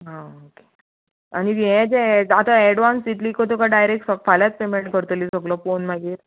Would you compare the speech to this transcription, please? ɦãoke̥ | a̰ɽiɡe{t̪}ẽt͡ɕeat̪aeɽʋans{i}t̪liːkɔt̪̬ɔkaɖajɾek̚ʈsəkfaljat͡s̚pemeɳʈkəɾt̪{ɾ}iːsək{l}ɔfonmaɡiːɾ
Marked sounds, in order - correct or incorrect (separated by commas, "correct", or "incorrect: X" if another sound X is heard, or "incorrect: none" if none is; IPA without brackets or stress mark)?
incorrect: none, correct, incorrect: l, correct